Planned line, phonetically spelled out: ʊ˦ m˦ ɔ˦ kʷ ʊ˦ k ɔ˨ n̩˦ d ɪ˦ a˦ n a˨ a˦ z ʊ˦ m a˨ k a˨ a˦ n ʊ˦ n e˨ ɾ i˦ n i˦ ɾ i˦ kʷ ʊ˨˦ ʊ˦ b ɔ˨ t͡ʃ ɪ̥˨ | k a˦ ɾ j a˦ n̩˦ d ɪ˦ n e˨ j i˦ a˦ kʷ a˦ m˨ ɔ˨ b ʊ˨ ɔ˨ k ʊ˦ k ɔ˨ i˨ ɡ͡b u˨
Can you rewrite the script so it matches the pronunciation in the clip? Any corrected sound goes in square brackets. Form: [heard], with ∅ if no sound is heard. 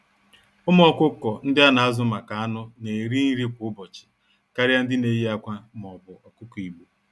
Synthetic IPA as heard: ʊ˦ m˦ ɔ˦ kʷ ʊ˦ k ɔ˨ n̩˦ d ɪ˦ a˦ n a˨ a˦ z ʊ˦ m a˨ k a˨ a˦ n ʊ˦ n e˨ ɾ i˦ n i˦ ɾ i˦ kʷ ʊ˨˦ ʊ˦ b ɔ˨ t͡ʃ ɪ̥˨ | k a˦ ɾ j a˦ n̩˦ d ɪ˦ n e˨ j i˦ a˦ kʷ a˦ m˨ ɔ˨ b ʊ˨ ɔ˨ k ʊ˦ k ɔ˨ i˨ ɡ͡b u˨